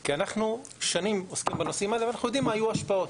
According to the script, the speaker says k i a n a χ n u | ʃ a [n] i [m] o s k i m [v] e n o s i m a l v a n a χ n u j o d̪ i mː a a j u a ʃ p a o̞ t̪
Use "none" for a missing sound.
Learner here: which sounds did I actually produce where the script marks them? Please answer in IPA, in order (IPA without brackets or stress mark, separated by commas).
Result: n, m, b